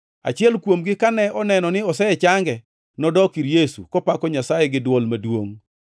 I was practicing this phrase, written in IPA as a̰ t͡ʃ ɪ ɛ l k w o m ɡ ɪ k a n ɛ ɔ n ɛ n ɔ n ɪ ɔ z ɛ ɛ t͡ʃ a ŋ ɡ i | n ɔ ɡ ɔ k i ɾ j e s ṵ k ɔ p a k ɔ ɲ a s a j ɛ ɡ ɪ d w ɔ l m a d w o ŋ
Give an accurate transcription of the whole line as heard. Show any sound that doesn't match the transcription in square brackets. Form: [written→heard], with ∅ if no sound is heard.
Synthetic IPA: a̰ t͡ʃ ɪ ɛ l k w o m ɡ ɪ k a n ɛ ɔ n ɛ n ɔ n ɪ ɔ [z→s] ɛ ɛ t͡ʃ a ŋ ɡ [i→ɛ] | n ɔ [ɡ→d] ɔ k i ɾ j e s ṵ k ɔ p a k ɔ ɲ a s a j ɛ ɡ ɪ d w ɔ l m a d w o ŋ